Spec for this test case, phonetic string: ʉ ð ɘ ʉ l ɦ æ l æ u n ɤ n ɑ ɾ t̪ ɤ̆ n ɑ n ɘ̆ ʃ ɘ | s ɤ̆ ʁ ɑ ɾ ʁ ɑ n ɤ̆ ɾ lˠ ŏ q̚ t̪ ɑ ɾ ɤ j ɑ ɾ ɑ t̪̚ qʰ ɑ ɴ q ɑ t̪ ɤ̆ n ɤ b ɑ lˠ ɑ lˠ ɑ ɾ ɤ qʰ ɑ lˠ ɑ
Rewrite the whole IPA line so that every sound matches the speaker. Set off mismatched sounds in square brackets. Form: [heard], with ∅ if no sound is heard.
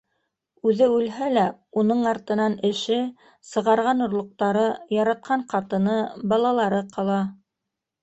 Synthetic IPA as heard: ʉ ð ɘ ʉ l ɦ æ l æ u n ɤ [ɴ] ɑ ɾ t̪ ɤ̆ n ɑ n ɘ̆ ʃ ɘ | s ɤ̆ ʁ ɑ ɾ ʁ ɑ n [ŏ] ɾ lˠ ŏ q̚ t̪ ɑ ɾ ɤ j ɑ ɾ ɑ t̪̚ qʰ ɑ ɴ q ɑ t̪ ɤ̆ n ɤ b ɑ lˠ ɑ lˠ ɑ ɾ ɤ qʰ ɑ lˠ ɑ